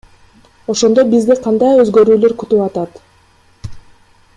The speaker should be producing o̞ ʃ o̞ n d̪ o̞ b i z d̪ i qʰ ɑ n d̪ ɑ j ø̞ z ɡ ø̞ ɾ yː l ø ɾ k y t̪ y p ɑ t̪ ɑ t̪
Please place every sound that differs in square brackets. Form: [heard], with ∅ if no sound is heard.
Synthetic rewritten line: o̞ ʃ o̞ n d̪ o̞ b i z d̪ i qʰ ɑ n d̪ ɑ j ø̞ z ɡ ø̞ ɾ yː l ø ɾ k y t̪ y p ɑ t̪ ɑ t̪